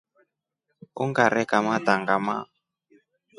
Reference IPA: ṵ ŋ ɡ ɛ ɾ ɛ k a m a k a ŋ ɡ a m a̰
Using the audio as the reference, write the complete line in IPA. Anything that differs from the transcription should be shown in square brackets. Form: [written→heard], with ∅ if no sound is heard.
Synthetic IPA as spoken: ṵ ŋ ɡ [ɛ→a] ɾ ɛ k a m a [k→t] a ŋ ɡ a m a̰